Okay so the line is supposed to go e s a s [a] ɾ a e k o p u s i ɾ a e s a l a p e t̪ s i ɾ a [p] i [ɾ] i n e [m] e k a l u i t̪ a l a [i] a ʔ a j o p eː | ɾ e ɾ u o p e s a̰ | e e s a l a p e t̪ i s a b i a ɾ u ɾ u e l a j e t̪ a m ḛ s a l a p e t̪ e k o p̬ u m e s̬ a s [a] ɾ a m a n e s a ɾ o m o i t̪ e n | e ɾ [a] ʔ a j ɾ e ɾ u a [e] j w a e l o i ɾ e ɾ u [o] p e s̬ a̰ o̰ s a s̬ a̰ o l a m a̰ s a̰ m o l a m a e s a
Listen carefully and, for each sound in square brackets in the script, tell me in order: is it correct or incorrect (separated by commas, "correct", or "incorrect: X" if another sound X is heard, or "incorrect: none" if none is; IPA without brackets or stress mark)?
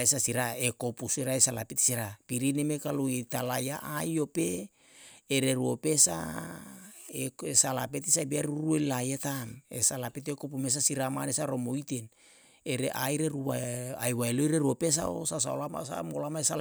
incorrect: i, correct, correct, correct, incorrect: j, incorrect: i, incorrect: e, incorrect: a, correct